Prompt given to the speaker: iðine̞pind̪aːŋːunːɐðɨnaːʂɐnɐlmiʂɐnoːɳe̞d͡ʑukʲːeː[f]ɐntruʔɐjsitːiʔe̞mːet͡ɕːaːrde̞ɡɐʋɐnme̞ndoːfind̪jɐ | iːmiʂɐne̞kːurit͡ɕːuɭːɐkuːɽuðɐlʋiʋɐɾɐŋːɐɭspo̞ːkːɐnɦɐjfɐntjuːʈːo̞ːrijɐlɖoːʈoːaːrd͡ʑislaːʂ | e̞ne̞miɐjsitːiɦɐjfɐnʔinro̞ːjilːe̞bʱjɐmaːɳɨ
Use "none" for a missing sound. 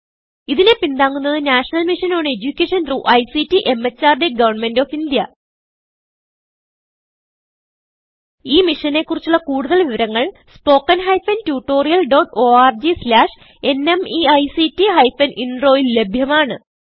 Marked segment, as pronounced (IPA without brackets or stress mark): ʂ